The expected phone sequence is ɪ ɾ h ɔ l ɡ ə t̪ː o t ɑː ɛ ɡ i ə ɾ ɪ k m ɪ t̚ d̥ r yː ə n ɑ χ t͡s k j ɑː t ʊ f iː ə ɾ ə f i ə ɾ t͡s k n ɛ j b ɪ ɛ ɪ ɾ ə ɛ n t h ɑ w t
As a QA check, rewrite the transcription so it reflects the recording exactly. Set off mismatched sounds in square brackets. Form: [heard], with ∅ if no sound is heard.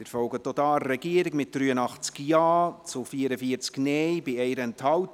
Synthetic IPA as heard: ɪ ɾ [f] ɔ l ɡ ə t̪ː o t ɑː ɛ ɡ i ə ɾ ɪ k m ɪ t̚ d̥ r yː ə n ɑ χ t͡s k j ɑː [t͡s] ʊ f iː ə ɾ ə f i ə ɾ t͡s k n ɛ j b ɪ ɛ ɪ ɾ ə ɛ n t h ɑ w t

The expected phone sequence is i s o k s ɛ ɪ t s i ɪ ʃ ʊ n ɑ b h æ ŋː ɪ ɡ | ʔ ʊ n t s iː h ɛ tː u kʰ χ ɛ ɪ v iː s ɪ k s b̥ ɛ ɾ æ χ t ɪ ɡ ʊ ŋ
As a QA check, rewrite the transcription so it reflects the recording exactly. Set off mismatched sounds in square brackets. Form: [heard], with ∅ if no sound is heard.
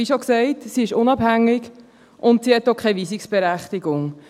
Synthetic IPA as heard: i [ʃ] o k s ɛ ɪ t s i ɪ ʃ ʊ n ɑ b h æ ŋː ɪ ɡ | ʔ ʊ n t s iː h ɛ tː [o] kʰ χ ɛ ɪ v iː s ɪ k s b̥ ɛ ɾ æ χ t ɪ ɡ ʊ ŋ

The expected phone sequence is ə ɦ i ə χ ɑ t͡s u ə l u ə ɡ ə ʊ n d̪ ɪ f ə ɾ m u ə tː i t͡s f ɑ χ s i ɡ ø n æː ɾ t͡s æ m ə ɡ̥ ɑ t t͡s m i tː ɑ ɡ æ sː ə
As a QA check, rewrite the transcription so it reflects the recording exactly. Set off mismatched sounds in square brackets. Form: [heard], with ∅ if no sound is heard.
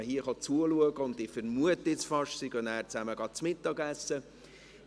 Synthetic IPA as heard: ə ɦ i ə χ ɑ t͡s u ə l u ə ɡ ə ʊ n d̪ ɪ f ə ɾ m u ə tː [ɪ] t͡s f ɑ [ʃ] s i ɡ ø n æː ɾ t͡s æ m ə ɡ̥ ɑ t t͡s m [ɪ] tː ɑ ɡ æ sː ə

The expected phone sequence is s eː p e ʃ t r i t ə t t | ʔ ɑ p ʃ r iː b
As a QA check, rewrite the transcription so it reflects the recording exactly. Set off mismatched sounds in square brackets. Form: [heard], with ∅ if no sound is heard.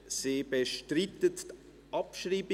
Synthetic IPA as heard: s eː [b] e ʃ t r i t ə t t | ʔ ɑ p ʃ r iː b

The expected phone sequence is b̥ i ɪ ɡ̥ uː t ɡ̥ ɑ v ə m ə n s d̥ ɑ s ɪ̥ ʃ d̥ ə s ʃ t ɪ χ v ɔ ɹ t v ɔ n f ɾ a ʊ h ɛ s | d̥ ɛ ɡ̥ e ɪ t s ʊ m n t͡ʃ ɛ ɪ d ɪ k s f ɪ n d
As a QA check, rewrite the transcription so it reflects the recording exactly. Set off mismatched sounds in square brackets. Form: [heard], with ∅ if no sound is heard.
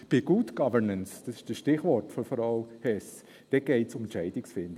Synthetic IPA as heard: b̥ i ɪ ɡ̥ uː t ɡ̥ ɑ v ə [n] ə n s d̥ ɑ s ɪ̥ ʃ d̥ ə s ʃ t ɪ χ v ɔ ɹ t [f] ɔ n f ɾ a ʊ h ɛ s | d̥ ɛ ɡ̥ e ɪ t s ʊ m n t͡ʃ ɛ ɪ d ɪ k s f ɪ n d

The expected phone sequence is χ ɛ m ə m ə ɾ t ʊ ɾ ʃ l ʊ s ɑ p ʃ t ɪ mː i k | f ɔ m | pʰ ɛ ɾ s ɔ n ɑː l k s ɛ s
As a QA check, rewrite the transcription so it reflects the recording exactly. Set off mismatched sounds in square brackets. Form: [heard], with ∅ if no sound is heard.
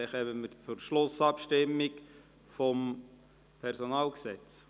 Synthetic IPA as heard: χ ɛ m ə m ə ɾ [t͡s] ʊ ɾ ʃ l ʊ s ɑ p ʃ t ɪ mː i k | f ɔ m | pʰ ɛ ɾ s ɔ n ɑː l k s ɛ [t͡s]

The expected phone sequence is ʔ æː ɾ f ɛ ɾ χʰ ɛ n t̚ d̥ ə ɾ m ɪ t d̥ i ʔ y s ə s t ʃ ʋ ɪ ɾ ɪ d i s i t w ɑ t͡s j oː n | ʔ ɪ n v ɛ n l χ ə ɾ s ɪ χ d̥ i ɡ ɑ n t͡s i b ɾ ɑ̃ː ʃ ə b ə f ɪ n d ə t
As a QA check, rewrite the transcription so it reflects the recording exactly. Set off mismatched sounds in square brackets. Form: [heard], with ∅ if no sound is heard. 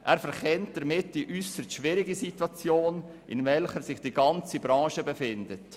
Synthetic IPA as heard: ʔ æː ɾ f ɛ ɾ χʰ ɛ n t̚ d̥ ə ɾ m ɪ t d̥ i ʔ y s ə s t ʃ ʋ ɪ ɾ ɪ [ɡ] i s i t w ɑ t͡s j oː n | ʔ ɪ n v ɛ [∅] l χ ə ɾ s ɪ χ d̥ i ɡ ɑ n t͡s i b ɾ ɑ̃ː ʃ ə b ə f ɪ n d ə t

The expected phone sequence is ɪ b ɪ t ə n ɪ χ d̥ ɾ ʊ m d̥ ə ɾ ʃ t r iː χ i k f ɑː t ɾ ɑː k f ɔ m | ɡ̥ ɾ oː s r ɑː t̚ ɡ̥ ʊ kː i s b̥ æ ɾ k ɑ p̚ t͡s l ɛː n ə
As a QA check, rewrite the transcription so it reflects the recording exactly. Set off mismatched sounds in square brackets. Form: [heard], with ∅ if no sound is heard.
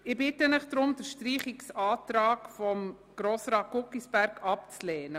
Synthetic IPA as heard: ɪ b ɪ t ə n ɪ χ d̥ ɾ ʊ m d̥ ə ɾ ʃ t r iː χ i k [s] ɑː t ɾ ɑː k f ɔ m | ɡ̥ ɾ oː s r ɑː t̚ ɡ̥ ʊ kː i s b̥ æ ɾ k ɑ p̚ t͡s l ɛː n ə

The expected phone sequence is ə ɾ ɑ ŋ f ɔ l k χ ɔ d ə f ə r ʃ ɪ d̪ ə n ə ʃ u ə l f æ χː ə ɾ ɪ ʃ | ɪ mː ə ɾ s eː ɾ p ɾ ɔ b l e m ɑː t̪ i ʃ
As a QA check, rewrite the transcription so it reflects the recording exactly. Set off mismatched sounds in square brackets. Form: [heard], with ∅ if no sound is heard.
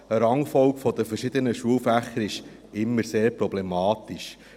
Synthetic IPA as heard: ə ɾ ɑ ŋ f ɔ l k [f] ɔ d ə f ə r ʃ ɪ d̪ ə n ə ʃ u ə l f æ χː ə ɾ ɪ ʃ | ɪ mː ə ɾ s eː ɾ p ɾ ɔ b l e m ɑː t̪ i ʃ

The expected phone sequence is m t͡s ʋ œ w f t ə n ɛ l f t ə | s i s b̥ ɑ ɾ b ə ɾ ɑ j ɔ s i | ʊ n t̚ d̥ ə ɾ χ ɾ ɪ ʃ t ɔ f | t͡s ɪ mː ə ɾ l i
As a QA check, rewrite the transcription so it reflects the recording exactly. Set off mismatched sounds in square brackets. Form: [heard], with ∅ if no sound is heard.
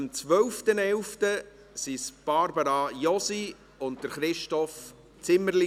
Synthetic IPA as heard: m t͡s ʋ œ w f t ə n ɛ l f t ə | s i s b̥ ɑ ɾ b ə ɾ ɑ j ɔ s i | ʊ n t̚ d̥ ə ɾ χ ɾ ɪ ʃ t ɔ f | t͡s ɪ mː ə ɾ l i

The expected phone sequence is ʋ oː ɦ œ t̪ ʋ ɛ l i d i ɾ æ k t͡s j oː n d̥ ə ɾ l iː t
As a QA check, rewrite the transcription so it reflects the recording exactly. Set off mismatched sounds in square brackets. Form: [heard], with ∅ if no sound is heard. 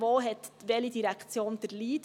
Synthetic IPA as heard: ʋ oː ɦ [ɛ] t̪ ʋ ɛ l i d i ɾ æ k t͡s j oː n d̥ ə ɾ l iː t

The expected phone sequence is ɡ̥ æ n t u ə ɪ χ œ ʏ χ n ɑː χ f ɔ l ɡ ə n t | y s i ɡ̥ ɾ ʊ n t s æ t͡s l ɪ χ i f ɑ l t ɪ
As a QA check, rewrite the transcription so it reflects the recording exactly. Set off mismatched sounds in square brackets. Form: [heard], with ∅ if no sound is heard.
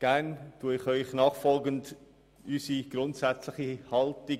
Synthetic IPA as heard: ɡ̥ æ n t u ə ɪ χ œ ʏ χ n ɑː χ f ɔ l ɡ ə n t | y s i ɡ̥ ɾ ʊ n t s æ t͡s l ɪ χ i [h] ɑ l t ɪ

